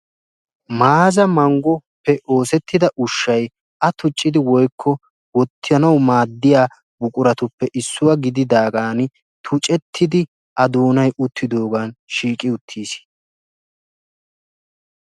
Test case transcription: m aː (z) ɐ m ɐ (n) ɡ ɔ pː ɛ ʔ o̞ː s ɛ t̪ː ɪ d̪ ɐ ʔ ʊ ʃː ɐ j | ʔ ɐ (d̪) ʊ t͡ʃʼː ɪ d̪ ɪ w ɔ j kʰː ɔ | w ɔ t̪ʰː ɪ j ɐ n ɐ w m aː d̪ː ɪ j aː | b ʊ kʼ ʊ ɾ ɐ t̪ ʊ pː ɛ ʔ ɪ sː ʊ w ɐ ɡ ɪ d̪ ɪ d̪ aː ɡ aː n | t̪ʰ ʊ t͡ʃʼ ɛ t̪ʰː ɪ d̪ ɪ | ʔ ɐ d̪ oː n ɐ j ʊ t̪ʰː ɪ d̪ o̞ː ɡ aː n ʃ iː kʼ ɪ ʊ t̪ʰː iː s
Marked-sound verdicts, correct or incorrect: correct, incorrect: ŋ, incorrect: t̪

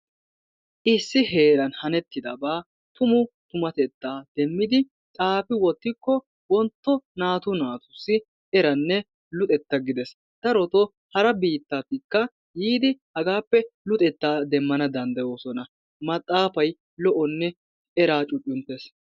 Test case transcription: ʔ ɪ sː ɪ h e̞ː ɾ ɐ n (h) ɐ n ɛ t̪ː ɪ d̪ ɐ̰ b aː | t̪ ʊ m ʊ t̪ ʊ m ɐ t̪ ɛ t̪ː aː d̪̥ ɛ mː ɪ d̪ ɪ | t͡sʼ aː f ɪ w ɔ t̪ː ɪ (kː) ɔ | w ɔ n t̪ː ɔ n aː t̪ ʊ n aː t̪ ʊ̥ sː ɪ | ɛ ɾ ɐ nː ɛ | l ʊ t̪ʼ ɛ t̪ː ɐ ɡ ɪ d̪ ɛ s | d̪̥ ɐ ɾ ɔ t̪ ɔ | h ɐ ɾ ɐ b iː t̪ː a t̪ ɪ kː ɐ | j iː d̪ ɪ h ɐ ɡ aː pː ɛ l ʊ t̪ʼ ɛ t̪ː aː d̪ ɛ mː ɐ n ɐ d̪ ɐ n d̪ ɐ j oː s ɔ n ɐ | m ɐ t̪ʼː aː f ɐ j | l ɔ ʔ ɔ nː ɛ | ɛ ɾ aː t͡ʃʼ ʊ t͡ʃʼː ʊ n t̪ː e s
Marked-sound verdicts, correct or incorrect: correct, correct

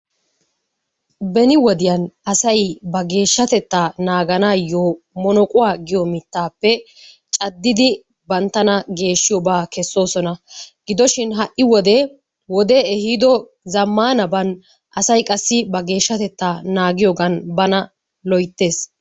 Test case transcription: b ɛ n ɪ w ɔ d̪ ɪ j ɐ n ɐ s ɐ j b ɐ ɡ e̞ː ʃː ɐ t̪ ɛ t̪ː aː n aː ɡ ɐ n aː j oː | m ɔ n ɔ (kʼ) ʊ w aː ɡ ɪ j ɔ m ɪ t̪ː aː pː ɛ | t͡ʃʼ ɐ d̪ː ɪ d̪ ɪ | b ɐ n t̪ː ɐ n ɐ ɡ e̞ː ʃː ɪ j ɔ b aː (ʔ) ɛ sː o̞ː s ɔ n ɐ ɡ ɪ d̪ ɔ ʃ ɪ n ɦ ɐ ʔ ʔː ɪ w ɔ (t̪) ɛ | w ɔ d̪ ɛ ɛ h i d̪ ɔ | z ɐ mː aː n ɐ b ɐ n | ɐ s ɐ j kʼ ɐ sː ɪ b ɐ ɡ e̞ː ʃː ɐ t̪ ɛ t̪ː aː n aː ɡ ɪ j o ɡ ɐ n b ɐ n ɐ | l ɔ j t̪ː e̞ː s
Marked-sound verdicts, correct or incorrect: correct, incorrect: k, incorrect: d̪

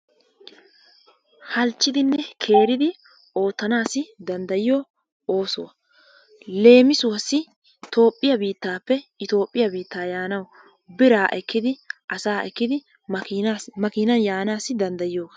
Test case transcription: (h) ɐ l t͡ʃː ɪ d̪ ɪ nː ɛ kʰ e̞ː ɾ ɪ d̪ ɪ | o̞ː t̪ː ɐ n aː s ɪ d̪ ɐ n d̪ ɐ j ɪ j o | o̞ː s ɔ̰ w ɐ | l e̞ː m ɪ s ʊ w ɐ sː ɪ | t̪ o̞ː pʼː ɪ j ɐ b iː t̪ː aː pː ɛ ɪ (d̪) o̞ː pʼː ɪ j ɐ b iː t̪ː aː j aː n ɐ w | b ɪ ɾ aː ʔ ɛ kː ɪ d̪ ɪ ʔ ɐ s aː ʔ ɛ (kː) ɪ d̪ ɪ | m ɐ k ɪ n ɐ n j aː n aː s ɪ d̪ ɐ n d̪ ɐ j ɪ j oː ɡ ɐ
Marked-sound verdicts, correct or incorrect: correct, incorrect: t̪, correct

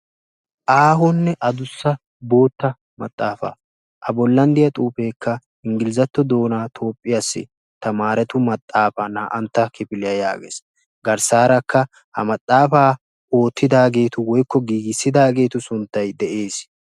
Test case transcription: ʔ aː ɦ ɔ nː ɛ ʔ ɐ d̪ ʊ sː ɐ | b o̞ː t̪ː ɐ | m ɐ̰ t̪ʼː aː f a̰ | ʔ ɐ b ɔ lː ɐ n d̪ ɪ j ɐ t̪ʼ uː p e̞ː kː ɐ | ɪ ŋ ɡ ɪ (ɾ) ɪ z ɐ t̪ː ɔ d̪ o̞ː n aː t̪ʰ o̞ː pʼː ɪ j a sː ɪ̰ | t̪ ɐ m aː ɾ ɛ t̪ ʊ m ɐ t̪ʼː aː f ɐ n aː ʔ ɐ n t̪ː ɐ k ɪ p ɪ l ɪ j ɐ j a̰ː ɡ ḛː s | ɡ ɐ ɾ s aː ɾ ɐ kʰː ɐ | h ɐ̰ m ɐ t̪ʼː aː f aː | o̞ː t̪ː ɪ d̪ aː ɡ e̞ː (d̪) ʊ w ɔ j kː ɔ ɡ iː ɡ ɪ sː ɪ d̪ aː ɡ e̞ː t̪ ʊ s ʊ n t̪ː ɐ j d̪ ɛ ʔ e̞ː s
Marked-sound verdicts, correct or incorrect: incorrect: l, incorrect: t̪

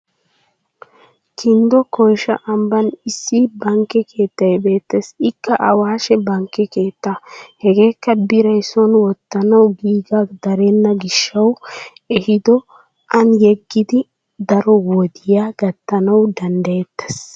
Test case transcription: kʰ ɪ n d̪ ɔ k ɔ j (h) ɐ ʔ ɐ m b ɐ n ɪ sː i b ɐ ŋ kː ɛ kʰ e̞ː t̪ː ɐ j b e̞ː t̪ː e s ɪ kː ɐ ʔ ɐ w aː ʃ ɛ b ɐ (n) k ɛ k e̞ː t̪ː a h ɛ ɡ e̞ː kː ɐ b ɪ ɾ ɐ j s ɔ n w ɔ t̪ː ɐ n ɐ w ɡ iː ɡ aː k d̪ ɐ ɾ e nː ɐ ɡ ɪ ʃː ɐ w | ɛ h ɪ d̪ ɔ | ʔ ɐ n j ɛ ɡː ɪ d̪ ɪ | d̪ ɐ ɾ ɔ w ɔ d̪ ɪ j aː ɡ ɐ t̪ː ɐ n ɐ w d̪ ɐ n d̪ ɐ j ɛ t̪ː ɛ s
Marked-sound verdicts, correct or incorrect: incorrect: ʃ, incorrect: ŋ

